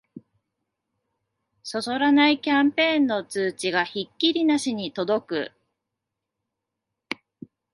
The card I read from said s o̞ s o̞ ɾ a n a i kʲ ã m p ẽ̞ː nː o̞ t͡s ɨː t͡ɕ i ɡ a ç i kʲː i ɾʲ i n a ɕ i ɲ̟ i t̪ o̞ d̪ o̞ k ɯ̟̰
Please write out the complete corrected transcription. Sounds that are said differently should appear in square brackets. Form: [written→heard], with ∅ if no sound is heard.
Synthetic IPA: s o̞ s o̞ ɾ a n a i kʲ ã m p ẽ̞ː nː o̞ t͡s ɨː t͡ɕ i ɡ a ç i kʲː i ɾʲ i n a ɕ i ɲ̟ i t̪ o̞ d̪ o̞ k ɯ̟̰